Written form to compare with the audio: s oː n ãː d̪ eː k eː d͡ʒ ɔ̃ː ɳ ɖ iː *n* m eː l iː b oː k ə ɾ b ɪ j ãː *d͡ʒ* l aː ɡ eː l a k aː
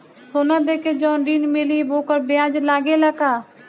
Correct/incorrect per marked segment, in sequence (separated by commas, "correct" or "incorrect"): correct, correct